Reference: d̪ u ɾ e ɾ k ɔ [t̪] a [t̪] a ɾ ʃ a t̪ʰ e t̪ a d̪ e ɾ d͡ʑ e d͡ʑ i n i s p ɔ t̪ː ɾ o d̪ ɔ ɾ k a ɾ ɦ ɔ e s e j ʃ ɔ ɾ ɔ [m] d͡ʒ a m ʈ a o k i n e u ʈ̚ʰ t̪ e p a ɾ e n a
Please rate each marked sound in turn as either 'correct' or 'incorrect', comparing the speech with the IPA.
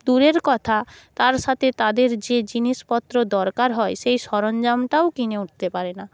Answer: incorrect: t̪ʰ, correct, incorrect: n

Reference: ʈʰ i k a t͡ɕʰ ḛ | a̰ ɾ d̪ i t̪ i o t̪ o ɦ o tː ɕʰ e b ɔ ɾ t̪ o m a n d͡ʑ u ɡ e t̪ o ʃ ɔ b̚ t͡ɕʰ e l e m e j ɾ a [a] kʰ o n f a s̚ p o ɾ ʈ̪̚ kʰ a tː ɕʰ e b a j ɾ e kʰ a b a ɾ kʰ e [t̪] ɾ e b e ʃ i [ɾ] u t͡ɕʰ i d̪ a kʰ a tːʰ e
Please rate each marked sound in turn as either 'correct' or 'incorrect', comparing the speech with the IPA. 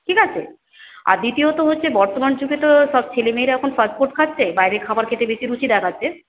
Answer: incorrect: ɛ, correct, correct

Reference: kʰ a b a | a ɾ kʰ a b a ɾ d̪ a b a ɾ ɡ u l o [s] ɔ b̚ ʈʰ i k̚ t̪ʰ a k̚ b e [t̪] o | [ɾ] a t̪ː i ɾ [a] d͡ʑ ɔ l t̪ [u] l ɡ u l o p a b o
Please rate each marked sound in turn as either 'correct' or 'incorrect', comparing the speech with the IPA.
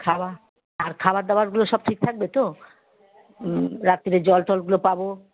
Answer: incorrect: ʃ, correct, correct, incorrect: e, incorrect: ɔ

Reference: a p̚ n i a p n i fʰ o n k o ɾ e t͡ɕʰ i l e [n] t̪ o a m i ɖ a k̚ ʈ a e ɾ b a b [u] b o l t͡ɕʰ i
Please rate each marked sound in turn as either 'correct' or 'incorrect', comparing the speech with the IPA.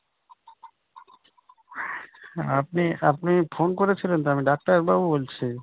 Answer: correct, correct

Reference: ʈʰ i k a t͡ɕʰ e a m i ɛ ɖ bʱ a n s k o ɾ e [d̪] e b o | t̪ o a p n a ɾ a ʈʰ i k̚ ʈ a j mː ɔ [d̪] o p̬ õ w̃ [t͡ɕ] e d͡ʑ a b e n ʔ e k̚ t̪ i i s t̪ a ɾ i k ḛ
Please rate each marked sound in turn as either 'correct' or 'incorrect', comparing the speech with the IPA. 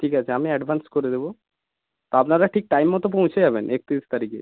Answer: correct, incorrect: t̪, incorrect: t͡ɕʰ

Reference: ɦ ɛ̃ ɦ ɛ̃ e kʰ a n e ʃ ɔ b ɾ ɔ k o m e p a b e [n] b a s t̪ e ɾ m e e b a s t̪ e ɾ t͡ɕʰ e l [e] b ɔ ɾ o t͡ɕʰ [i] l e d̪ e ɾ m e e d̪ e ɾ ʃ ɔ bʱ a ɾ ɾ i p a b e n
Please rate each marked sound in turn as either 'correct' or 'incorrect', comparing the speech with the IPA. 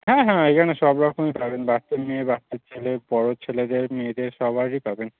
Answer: correct, correct, incorrect: e

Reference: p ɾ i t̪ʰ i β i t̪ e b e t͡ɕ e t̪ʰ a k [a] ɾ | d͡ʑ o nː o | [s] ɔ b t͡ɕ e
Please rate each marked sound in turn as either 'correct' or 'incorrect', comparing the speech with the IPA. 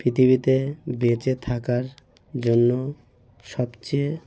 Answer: correct, incorrect: ʃ

